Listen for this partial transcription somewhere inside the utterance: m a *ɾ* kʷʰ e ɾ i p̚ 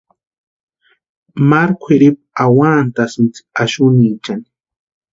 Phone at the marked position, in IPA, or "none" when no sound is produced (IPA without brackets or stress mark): ɾ